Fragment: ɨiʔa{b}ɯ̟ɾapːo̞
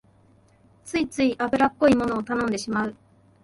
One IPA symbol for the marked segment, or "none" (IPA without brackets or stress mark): b